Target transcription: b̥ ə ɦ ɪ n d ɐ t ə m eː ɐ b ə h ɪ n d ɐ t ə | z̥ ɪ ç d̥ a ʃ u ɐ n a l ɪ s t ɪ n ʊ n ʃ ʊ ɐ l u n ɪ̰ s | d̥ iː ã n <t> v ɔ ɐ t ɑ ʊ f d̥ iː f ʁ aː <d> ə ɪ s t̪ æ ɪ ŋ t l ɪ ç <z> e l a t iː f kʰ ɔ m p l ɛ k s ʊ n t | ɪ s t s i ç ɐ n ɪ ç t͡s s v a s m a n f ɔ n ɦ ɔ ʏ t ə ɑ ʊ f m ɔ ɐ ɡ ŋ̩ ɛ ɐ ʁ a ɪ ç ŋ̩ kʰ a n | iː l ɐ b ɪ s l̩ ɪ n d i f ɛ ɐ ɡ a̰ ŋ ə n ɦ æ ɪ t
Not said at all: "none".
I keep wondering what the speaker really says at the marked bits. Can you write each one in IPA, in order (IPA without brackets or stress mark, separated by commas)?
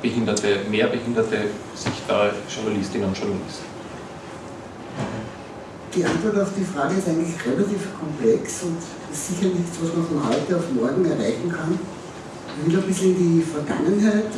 t, ɡ, ʁ